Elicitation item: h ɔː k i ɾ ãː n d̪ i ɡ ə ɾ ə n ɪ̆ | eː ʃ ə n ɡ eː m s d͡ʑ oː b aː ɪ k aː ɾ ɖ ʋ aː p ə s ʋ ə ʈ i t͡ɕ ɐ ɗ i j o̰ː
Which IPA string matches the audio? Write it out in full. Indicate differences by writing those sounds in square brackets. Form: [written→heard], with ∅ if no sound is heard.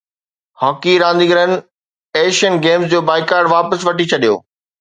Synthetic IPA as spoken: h ɔː k i ɾ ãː n d̪ i ɡ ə ɾ ə n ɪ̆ | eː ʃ ə n ɡ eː m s d͡ʑ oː b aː ɪ k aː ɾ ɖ ʋ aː p ə s ʋ [ə→ɐ] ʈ i [t͡ɕ→t͡ɕʰ] ɐ ɗ i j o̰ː